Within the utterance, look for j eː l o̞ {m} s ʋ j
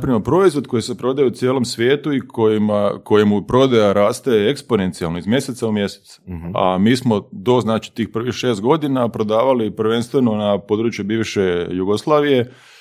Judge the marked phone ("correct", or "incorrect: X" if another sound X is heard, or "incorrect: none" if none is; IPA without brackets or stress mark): correct